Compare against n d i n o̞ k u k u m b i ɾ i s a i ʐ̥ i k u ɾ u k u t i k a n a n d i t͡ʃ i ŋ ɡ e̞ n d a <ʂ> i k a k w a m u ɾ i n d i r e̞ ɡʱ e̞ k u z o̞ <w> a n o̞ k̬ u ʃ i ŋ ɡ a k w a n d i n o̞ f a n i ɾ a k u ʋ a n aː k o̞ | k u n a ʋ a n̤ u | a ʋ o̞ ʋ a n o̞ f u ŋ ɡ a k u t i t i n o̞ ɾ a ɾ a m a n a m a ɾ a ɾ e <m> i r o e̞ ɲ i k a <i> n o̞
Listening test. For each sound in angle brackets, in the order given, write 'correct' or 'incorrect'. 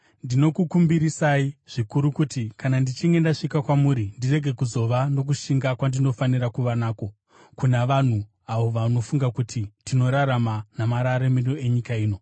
correct, incorrect, correct, incorrect

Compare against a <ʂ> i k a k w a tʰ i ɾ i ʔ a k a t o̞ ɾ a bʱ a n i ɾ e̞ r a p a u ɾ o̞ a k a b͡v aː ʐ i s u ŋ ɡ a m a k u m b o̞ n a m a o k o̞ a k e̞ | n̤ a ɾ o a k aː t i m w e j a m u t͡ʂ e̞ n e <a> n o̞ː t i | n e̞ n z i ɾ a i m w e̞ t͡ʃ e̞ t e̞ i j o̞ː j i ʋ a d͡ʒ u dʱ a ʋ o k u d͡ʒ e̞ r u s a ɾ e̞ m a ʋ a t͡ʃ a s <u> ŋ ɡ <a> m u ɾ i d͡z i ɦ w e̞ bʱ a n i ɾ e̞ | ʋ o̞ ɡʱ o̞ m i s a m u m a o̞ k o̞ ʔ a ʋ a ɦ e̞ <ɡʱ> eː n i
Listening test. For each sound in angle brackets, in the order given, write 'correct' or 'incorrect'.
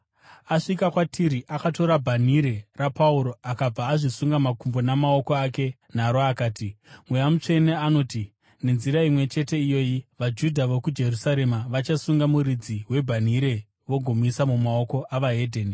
correct, correct, correct, correct, incorrect

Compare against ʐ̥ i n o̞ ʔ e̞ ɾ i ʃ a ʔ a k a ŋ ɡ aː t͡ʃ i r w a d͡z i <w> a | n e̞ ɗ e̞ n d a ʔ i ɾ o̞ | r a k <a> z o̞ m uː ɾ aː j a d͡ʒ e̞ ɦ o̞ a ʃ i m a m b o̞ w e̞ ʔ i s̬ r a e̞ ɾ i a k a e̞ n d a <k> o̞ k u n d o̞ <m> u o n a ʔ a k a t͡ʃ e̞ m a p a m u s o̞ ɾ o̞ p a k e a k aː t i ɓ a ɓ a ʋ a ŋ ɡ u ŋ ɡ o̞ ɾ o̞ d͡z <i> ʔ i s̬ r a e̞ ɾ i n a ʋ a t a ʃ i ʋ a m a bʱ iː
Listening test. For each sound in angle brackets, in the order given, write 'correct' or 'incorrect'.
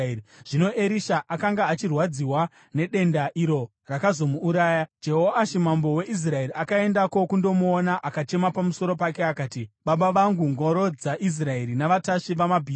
correct, correct, correct, correct, incorrect

